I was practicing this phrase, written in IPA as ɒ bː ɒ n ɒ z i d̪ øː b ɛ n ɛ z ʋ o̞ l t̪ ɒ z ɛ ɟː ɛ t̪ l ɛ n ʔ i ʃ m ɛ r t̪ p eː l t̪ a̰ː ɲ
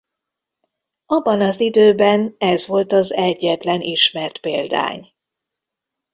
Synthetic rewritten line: ɒ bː ɒ n ɒ z i d̪ øː b ɛ n ɛ z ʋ o̞ l t̪ ɒ z ɛ ɟː ɛ t̪ l ɛ n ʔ i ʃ m ɛ r t̪ p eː l d̪ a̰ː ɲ